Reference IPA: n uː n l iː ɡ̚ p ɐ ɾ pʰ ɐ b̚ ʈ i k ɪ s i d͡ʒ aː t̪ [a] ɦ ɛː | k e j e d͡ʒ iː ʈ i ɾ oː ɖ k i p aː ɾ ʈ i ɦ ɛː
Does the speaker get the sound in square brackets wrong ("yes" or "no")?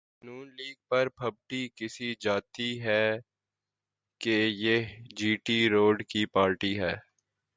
yes